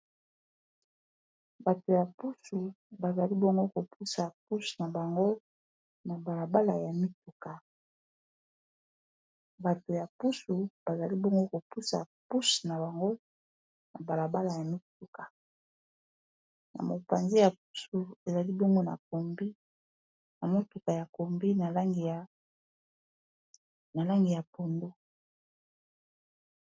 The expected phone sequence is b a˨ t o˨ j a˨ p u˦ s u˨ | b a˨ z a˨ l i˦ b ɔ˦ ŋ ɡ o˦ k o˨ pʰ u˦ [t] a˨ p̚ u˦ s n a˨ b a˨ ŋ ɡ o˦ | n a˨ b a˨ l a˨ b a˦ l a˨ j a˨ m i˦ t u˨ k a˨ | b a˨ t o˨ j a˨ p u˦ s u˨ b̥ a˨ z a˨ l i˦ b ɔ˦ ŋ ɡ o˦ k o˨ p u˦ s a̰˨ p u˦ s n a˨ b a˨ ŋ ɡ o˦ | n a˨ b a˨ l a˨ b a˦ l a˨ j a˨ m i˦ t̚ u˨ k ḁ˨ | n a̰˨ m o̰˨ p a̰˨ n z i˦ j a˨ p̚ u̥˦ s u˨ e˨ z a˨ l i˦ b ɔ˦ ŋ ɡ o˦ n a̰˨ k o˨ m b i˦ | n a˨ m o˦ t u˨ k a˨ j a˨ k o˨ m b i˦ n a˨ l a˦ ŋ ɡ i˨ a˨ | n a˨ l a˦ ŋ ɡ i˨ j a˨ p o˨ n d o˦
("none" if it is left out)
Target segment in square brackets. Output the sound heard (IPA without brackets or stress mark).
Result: s